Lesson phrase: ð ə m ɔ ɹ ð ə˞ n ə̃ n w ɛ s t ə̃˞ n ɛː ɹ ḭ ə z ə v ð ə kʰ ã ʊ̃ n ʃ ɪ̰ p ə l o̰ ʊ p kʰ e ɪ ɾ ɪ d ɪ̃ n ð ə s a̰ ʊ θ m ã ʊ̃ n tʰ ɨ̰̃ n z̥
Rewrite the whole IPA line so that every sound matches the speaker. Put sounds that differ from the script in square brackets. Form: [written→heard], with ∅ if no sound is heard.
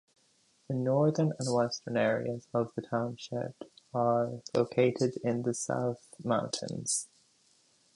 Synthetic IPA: ð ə [m→n] ɔ ɹ ð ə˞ n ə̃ n w ɛ s t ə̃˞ n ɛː ɹ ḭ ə z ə v ð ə [kʰ→tʰ] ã ʊ̃ n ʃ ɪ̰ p ə l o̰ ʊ [p→∅] kʰ e ɪ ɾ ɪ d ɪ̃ n ð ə s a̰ ʊ θ m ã ʊ̃ n tʰ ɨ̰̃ n z̥